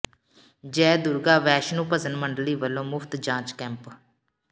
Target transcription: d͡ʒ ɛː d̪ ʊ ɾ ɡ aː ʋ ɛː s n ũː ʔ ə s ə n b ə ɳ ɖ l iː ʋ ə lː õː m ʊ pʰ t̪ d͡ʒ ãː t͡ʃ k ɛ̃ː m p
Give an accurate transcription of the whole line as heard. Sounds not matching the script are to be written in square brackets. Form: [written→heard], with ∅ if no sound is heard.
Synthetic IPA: d͡ʒ ɛː d̪ ʊ ɾ ɡ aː ʋ ɛː [s→ʃ] n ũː [ʔ→p] ə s ə n [b→m] ə ɳ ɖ l iː ʋ ə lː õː m ʊ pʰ t̪ d͡ʒ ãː t͡ʃ k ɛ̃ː m p